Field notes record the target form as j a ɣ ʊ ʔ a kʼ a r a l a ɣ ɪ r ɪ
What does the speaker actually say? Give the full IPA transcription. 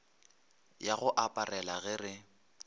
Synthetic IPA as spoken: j a ɣ ʊ ʔ a pʼ a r ɛ l a ɣ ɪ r ɪ

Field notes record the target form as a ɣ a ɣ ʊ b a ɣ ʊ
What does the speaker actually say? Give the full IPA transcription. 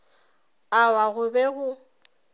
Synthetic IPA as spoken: a w a ɣ ʊ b ɛ ɣ ʊ

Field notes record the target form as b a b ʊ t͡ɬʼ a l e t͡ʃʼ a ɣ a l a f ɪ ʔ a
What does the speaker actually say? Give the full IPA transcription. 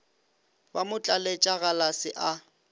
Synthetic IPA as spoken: b a m ʊ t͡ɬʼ a l e t͡ʃʼ a ɣ a l a s ɪ ʔ a

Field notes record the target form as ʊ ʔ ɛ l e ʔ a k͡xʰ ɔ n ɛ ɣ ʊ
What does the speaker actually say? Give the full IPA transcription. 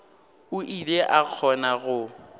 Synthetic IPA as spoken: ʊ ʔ i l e ʔ a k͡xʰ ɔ n a ɣ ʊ

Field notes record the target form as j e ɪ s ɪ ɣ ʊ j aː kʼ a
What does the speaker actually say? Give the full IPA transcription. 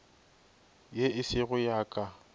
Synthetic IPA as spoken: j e ɪ s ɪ ɣ ʊ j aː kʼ a

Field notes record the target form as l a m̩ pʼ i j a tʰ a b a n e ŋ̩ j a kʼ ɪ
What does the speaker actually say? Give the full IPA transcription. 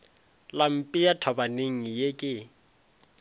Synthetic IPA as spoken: l a m̩ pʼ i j a tʰ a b a n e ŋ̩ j e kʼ ɪ

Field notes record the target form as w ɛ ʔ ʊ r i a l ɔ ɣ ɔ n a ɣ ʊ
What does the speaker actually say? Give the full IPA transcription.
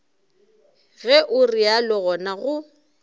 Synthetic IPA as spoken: ɣ ɛ ʔ ʊ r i a l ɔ ɣ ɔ n a ɣ ʊ

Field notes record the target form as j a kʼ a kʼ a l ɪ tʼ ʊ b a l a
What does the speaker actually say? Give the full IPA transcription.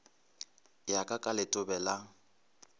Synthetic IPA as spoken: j a kʼ a kʼ a l ɪ tʼ ʊ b ɛ l a

